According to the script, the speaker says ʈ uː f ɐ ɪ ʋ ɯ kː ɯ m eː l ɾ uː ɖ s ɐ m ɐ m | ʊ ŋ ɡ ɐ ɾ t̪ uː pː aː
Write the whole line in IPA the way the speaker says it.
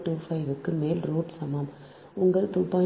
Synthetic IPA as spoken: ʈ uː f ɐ ɪ ʋ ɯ kː ɯ m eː l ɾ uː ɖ s ɐ m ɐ m | ʊ ŋ ɡ ɐ ɭ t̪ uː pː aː